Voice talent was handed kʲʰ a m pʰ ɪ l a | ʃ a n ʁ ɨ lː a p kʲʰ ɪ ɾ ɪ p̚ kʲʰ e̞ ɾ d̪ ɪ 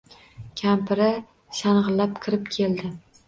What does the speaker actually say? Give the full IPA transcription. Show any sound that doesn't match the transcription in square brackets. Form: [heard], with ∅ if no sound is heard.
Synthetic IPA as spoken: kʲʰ a m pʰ ɪ [ɾ] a | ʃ a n ʁ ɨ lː a p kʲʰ ɪ ɾ ɪ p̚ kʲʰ e̞ [l] d̪ ɪ